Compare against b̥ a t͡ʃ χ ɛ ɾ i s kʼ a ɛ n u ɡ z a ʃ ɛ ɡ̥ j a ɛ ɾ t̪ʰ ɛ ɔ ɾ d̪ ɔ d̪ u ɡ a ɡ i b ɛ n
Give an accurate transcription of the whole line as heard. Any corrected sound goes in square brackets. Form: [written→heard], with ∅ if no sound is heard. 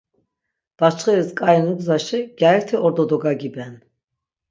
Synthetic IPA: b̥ a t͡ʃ χ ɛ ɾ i s kʼ a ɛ n u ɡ z a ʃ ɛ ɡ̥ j a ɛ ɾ t̪ʰ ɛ ɔ ɾ d̪ ɔ d̪ [u→ɔ] ɡ a ɡ i b ɛ n